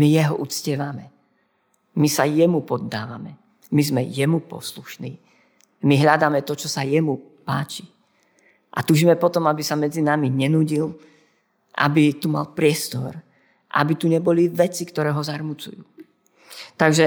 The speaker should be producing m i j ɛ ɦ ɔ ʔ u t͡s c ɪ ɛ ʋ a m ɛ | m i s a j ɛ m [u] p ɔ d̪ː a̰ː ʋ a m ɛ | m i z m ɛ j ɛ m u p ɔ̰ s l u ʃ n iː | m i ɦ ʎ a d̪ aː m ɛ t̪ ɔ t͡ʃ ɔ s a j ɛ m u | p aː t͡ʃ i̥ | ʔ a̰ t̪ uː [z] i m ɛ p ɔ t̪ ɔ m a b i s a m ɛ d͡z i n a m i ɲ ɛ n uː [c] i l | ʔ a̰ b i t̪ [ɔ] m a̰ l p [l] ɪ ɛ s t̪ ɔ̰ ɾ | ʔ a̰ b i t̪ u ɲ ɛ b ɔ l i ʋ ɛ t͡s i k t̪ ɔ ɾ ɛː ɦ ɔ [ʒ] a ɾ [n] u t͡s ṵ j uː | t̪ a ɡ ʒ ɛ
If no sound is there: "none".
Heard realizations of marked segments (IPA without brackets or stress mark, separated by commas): u, ʒ, ɟ, u, ɾ, z, m